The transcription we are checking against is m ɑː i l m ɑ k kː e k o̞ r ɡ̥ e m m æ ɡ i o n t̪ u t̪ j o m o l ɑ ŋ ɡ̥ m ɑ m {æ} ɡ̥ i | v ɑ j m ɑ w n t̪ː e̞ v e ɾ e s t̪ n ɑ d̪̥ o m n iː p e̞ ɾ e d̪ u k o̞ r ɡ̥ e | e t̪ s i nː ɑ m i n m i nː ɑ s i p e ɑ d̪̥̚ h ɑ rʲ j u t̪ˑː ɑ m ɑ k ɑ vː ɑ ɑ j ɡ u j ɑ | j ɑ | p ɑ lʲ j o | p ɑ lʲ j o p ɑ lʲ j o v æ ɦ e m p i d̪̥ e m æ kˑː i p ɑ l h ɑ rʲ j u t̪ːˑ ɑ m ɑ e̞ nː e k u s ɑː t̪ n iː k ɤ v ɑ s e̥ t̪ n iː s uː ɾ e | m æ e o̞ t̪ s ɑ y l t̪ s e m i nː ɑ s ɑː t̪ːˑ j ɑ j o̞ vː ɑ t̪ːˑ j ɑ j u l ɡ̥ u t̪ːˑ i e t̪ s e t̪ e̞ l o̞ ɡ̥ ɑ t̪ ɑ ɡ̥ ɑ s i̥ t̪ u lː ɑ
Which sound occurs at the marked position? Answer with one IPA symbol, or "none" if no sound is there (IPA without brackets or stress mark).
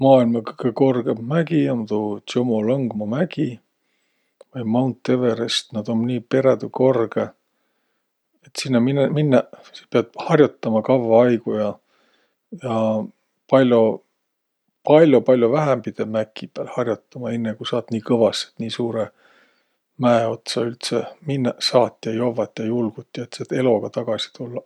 æ